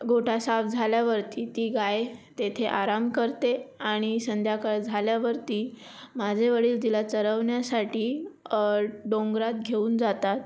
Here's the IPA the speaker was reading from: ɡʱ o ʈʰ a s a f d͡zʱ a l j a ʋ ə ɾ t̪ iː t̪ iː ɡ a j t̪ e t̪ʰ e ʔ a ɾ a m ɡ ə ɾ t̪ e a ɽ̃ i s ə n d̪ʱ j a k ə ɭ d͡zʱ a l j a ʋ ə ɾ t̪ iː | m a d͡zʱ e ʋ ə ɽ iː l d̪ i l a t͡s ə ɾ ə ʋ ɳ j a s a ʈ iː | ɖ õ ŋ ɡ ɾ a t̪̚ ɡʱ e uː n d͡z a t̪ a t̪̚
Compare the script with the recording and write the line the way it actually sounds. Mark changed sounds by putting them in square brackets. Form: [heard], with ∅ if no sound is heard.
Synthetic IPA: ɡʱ o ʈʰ a s a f d͡zʱ a l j a ʋ ə ɾ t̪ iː t̪ iː ɡ a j t̪ e t̪ʰ e ʔ a ɾ a m [k] ə ɾ t̪ e a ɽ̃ i s ə n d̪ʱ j a k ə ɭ d͡zʱ a l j a ʋ ə ɾ t̪ iː | m a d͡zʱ e ʋ ə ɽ iː l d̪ i l a t͡s ə ɾ ə ʋ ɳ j a s a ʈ iː | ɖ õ ŋ ɡ ɾ a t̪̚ ɡʱ e uː n d͡z a t̪ a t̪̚